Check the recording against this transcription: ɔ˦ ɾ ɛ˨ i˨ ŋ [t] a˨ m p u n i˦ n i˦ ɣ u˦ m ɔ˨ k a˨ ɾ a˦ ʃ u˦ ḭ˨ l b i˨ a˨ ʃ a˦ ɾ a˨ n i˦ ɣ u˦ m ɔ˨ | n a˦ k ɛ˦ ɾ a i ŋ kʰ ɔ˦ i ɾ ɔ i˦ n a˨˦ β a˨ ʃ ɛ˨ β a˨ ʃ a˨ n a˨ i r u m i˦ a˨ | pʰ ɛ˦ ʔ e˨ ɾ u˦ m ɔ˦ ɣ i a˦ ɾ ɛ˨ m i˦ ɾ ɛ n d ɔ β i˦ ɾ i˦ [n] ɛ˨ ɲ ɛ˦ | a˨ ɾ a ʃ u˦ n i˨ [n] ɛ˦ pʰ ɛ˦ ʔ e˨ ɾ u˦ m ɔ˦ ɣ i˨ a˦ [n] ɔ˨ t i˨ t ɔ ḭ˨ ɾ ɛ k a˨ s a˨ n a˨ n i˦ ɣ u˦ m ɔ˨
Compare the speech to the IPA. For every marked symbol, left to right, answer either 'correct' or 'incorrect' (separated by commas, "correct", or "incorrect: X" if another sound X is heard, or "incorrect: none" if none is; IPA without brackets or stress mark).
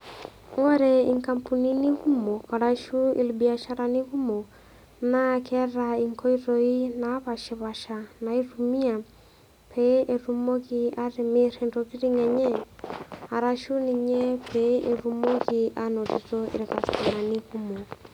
incorrect: k, incorrect: ŋ, incorrect: ɲ, correct